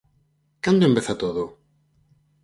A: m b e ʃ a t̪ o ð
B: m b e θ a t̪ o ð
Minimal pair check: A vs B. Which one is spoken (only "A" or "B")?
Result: B